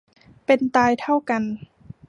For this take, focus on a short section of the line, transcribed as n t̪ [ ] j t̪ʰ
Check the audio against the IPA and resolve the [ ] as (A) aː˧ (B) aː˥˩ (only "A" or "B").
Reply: A